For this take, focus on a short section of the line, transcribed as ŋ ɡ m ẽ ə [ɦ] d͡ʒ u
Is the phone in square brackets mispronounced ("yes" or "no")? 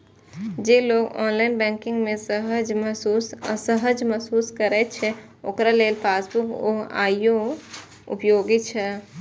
no